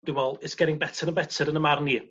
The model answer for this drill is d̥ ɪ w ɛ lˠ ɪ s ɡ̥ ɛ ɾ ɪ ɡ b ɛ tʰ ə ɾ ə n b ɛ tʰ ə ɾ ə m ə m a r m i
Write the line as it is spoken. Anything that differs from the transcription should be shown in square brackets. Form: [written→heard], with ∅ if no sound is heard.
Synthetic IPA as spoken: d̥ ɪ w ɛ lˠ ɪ s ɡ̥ ɛ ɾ ɪ [ɡ→ŋ] b ɛ tʰ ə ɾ ə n b ɛ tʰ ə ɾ ə [m→n] ə m a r [m→n] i